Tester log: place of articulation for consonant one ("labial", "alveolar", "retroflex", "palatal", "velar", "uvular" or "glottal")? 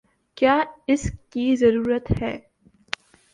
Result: velar